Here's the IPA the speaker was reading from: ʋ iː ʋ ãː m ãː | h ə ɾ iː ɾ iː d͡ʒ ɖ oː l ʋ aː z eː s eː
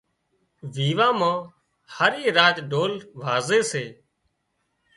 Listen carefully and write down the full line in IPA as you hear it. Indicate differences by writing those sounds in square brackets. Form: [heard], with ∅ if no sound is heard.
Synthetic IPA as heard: ʋ iː ʋ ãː m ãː | h ə ɾ iː ɾ [aː] d͡ʒ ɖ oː l ʋ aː z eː s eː